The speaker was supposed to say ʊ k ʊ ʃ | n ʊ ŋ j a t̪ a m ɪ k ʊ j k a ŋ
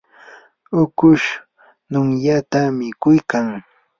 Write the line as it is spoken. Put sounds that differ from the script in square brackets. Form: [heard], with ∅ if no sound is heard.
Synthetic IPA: ʊ k ʊ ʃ | n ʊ ŋ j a t̪ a m ɪ k ʊ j k a ŋ